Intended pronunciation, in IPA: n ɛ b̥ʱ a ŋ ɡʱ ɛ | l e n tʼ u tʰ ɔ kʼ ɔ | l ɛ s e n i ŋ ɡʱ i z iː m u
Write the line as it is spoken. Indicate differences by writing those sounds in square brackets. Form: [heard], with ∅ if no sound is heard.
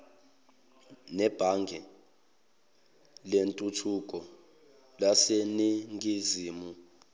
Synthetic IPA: n ɛ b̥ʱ a ŋ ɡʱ ɛ | l e n tʼ u tʰ [u] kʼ ɔ | l [a] s e n i ŋ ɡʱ i z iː m u